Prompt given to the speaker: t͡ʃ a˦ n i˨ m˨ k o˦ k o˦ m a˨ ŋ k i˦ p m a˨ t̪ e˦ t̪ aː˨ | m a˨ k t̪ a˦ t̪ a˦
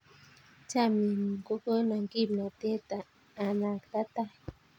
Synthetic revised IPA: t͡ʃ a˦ m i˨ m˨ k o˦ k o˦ n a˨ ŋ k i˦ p n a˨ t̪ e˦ t̪ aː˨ | n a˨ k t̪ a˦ t̪ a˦